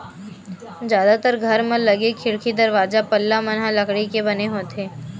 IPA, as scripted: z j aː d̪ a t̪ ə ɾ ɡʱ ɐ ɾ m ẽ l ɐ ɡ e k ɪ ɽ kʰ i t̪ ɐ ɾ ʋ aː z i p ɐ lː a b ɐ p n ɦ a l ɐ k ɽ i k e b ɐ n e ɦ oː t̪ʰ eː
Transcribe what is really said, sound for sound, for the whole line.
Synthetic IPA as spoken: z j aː d̪ a t̪ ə ɾ ɡʱ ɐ ɾ m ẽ l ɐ ɡ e kʰ ɪ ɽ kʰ i d̪ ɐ ɾ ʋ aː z a p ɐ lː a m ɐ n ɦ a l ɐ k ɽ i k e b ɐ n e ɦ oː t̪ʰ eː